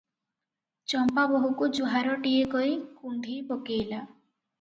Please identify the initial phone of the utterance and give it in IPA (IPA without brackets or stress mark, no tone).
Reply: t͡ʃ